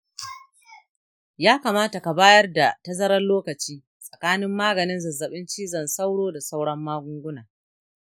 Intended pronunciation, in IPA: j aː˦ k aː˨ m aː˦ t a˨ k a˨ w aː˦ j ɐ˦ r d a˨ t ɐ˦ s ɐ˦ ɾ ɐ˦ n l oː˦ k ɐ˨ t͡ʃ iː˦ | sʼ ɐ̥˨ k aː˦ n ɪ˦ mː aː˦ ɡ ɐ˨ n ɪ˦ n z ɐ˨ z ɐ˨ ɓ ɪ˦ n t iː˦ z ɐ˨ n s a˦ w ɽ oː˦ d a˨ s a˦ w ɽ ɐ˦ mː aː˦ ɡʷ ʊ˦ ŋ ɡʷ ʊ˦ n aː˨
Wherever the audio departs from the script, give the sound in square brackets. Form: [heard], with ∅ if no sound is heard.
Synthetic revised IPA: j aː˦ k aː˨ m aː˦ t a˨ k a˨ [b] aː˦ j ɐ˦ r d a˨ t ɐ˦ [z] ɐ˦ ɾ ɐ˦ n l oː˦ k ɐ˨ t͡ʃ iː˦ | sʼ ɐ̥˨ k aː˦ n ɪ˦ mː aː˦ ɡ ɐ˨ n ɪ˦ n z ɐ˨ z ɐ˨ ɓ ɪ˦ n [t͡ʃ] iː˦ z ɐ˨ n s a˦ w ɽ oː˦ d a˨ s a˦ w ɽ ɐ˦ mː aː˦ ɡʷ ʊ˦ ŋ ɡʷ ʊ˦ n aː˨